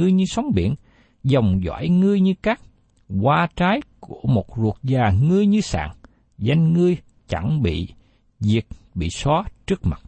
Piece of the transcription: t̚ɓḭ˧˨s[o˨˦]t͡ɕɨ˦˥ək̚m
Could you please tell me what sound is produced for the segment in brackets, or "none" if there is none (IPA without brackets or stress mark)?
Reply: ɔ˨˦